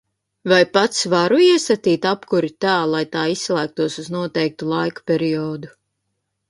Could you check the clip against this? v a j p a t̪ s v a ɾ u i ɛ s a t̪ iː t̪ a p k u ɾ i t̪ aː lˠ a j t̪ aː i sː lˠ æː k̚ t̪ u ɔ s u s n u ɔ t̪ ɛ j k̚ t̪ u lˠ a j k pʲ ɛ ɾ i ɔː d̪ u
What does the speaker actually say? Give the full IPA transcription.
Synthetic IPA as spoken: v a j p a t̪ s v a ɾ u i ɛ s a t̪ iː t̪ a p k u ɾ i t̪ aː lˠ a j t̪ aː i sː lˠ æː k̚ t̪ u ɔ s u z n u ɔ t̪ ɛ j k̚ t̪ u lˠ a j k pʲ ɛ ɾ i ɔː d̪ u